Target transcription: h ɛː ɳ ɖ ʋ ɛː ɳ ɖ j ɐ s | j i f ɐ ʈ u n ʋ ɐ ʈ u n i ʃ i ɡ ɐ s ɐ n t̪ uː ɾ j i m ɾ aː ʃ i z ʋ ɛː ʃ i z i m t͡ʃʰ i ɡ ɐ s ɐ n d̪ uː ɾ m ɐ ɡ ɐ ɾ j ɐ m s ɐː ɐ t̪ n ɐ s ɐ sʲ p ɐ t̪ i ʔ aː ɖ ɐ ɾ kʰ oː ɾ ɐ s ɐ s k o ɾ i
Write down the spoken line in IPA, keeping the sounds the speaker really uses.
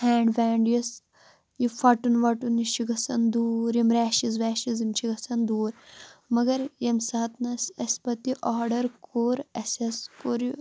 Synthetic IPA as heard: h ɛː ɳ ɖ ʋ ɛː ɳ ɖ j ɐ s | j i f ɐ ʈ u n ʋ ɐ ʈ u n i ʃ i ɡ ɐ s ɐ n d̪ uː ɾ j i m ɾ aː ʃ i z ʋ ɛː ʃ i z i m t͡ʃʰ i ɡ ɐ s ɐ n d̪ uː ɾ m ɐ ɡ ɐ ɾ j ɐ m s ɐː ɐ t̪ n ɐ s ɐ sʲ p ɐ t̪ i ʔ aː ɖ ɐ ɾ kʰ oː ɾ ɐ s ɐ s k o ɾ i